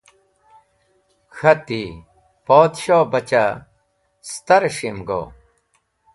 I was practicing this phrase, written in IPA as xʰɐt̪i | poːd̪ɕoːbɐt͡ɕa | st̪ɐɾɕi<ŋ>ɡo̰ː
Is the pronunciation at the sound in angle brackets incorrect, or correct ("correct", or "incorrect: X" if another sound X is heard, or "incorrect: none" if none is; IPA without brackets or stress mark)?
incorrect: m